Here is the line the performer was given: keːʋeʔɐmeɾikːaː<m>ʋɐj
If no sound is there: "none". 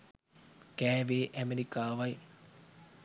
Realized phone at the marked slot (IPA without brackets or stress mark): none